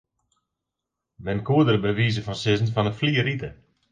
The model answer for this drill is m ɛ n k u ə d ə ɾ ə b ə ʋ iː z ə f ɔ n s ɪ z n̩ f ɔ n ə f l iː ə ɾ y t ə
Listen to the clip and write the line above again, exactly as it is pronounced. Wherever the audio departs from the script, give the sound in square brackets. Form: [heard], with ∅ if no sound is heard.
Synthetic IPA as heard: m ɛ n k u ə d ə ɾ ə b ə ʋ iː z ə f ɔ n s ɪ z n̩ f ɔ n ə f l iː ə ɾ [i] t ə